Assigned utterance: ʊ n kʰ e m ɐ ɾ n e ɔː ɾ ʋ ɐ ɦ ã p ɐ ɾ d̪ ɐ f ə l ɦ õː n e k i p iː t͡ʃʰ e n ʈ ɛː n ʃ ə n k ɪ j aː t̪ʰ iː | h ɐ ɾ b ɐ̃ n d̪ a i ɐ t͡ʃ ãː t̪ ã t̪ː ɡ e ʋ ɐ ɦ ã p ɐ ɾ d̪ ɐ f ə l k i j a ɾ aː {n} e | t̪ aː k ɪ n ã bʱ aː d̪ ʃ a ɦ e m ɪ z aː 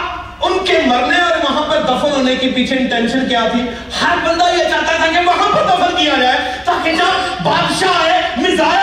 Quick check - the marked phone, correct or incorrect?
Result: incorrect